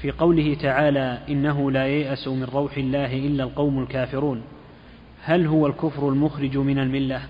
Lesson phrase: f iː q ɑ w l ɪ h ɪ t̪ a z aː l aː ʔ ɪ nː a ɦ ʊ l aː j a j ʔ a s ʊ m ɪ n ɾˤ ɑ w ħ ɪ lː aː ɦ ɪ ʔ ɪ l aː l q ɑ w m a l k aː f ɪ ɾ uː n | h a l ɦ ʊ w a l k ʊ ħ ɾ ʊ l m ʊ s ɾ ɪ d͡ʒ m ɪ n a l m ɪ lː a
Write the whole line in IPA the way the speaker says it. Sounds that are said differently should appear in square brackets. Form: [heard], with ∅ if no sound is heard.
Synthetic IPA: f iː q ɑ w l ɪ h ɪ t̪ a [ʕ] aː l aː ʔ ɪ nː a ɦ ʊ l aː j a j ʔ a s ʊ m ɪ n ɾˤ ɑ w ħ ɪ lː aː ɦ ɪ ʔ ɪ [lː] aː l q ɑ w m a l k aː f ɪ ɾ uː n | h a l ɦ ʊ w a l k ʊ [f] ɾ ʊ l m ʊ [x] ɾ ɪ d͡ʒ m ɪ n a l m ɪ lː a